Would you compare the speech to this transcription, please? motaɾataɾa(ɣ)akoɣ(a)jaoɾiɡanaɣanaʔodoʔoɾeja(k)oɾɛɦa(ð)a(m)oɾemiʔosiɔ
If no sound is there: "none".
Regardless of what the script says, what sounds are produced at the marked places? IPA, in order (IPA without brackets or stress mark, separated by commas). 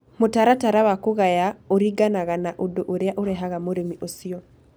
w, a, ʔ, ɣ, m